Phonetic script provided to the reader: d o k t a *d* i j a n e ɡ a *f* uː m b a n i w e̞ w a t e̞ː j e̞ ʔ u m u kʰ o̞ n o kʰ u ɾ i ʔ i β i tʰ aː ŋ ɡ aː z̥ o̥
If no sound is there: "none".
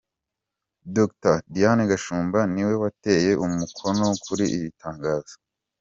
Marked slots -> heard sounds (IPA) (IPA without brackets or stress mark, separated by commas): d, ʃ